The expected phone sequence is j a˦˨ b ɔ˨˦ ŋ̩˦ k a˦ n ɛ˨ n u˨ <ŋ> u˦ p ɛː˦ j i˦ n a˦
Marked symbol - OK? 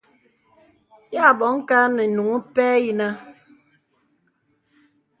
yes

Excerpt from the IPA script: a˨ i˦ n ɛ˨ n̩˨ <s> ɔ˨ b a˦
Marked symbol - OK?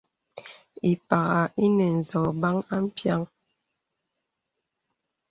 no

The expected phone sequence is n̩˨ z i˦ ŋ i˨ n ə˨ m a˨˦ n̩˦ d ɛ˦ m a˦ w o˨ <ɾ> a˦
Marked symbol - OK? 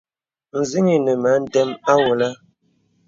no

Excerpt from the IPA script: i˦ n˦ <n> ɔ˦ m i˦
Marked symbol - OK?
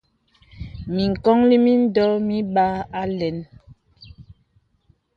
no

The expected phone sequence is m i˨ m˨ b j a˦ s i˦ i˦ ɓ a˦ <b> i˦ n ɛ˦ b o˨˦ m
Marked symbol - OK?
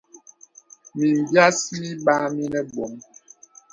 no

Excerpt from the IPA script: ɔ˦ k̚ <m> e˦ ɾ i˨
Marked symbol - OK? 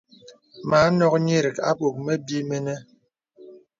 no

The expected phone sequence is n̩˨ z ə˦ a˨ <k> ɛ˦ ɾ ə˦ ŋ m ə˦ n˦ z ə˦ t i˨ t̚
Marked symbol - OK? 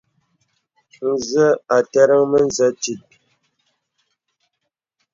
no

